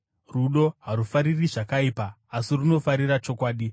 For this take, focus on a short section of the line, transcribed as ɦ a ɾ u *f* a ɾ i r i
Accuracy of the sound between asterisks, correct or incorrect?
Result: correct